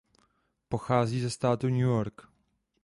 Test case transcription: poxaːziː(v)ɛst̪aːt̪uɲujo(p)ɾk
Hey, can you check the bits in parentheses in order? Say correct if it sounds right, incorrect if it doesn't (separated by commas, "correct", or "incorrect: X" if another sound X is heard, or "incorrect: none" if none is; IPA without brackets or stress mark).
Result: incorrect: z, incorrect: none